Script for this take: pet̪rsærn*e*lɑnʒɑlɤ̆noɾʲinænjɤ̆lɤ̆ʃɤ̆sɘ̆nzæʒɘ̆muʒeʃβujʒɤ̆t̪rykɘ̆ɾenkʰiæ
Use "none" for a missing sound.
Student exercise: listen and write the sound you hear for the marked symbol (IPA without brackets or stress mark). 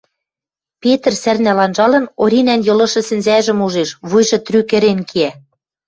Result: æ